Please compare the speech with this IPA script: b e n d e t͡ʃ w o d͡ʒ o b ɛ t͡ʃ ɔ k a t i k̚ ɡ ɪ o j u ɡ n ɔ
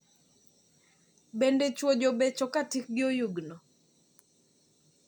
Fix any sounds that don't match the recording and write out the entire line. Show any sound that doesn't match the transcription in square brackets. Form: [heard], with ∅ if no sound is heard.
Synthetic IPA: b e n d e t͡ʃ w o d͡ʒ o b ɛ t͡ʃ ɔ k a t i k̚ ɡ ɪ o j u ɡ n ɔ